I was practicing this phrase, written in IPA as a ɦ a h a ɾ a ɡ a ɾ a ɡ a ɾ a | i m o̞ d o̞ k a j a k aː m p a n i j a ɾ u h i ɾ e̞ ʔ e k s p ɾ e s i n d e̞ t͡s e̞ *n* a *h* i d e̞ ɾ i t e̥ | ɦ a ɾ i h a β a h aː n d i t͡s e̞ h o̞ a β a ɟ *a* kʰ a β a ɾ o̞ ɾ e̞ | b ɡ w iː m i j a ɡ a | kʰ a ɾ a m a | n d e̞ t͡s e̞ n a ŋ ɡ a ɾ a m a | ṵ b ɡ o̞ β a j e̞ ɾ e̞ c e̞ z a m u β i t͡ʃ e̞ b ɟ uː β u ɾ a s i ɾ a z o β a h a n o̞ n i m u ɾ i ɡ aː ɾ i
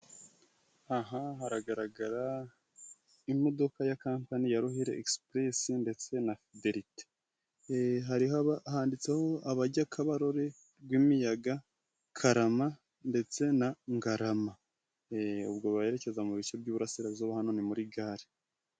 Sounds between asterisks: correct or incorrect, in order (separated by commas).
correct, incorrect, correct